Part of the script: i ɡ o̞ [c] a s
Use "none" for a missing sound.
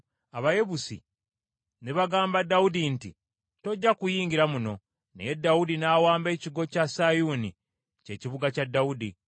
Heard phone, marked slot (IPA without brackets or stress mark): c